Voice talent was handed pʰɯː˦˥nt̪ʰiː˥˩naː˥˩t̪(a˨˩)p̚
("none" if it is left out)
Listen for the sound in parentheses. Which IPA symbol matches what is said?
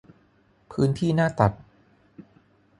a˨˩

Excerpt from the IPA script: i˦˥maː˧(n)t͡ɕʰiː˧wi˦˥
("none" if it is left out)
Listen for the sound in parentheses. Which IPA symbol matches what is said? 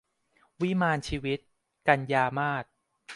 n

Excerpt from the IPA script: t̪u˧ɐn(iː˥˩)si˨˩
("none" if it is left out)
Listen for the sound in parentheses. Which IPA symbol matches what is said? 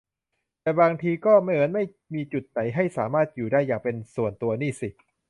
iː˥˩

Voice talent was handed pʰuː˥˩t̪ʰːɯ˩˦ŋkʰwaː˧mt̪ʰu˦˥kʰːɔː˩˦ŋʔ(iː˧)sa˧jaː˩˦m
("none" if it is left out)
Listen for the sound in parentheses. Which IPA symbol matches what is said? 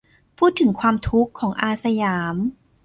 aː˧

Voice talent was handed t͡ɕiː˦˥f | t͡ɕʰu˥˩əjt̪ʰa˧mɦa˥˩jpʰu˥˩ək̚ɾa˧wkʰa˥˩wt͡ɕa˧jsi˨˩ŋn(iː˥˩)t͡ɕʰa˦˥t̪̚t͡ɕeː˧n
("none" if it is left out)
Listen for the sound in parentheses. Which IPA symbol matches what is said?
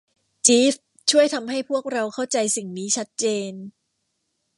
iː˦˥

